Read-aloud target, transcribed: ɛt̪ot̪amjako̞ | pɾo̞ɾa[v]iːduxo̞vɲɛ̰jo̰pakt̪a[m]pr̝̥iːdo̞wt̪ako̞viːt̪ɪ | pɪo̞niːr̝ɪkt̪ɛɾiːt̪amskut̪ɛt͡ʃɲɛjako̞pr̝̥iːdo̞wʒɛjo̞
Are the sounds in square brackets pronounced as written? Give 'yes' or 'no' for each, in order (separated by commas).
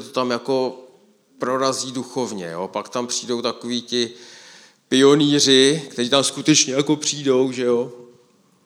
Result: no, yes